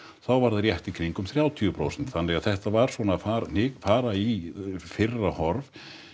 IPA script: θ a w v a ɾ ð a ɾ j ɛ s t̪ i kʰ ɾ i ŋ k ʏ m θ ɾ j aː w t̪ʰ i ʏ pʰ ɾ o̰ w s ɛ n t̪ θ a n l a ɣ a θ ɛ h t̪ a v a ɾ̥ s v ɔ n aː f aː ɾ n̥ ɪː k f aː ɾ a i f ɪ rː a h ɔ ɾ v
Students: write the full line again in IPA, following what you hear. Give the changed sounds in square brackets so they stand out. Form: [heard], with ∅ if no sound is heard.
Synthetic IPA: θ a w v a ɾ ð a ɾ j ɛ [h] t̪ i kʰ ɾ i ŋ k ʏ m θ ɾ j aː w t̪ʰ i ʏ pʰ ɾ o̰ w s ɛ n t̪ θ a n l [ɛ] ɣ a θ ɛ h t̪ a v a ɾ̥ s v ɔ n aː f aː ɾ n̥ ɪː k f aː ɾ a i f ɪ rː a h ɔ ɾ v